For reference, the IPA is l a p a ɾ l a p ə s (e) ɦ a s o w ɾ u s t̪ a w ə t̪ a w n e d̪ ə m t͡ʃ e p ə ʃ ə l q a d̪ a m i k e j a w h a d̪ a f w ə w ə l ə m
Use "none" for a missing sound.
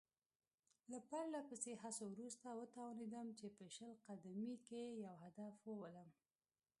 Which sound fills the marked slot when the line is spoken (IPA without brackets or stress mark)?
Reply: e